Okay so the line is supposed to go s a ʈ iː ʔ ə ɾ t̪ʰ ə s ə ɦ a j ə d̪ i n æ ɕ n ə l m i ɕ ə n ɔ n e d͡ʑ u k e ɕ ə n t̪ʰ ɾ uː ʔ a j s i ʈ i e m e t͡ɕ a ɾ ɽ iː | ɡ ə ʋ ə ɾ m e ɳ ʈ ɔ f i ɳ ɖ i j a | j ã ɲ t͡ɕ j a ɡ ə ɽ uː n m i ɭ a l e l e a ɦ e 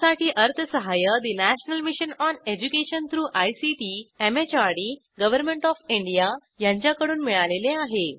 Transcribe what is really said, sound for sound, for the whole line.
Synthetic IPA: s a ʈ iː ʔ ə ɾ t̪ʰ ə s ə ɦ a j ə d̪ i n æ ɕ n ə l m i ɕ ə n ɔ n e d͡ʑ u k e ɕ ə n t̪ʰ ɾ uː ʔ a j s i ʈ i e m e t͡ɕ a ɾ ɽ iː | ɡ ə ʋ ə ɾ m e ɳ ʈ ɔ f i ɳ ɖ i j a | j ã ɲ t͡ɕ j a k ə ɽ uː n m i ɭ a l e l e a ɦ e